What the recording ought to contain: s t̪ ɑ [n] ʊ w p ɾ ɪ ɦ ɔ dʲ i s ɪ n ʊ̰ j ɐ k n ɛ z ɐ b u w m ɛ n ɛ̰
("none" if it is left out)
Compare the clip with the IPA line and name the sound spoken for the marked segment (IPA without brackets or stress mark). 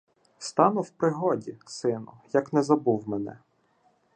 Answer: n